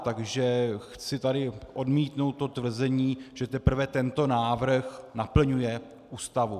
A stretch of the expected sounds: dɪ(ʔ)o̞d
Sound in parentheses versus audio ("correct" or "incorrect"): correct